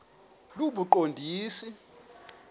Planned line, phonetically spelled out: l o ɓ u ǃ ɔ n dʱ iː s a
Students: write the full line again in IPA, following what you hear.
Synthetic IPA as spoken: l u ɓ u ǃ o n dʱ iː s i

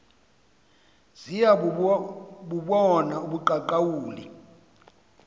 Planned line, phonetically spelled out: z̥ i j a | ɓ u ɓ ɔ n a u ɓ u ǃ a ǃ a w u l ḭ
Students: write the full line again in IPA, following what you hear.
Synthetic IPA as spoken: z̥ i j a | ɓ u ɓ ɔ n a u ɓ u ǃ a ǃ a w uː l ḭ

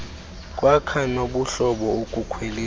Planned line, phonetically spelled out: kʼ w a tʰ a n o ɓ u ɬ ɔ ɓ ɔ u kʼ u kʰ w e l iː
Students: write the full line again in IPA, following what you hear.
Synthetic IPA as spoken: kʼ w a kʰ a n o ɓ u ɬ ɔ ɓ ɔ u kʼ u kʰ w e l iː

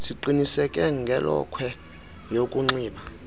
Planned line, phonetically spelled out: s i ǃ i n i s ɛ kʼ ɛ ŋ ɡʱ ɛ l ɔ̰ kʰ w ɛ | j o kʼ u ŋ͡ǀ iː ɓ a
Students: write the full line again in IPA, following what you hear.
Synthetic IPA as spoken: s i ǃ i n i s ɛ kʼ ɛ ŋ ɡʱ ɛ l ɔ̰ kʰ w ɛ | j o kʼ u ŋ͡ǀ iː ɓ a

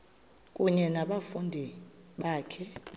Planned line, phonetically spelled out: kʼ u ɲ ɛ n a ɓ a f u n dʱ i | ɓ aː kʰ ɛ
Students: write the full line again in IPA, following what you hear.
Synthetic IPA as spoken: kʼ u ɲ ɛ n a ɓ a f u n dʱ i | ɓ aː kʰ ɛ

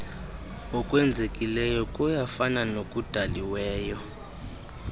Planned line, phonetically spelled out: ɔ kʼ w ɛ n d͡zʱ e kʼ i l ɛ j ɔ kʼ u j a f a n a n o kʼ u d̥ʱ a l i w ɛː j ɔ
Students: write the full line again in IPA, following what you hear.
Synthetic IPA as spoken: ɔ kʼ w ɛ n d͡zʱ e kʼ i l ɛ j ɔ kʼ u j a f a n a n o kʼ u d̥ʱ a l i w ɛː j ɔ

